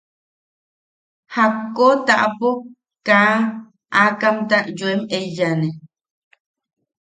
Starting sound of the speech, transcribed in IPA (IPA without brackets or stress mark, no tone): h